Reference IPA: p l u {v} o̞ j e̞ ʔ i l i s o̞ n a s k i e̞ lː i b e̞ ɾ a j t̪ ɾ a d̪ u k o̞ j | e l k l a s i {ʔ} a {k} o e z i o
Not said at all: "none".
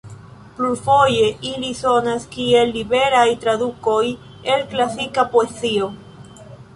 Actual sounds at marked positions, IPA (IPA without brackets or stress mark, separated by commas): f, k, p